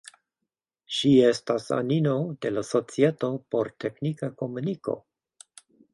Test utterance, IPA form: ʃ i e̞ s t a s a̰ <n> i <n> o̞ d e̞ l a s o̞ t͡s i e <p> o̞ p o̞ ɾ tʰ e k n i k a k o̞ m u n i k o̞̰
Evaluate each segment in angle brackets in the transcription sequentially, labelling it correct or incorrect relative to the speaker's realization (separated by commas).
correct, correct, incorrect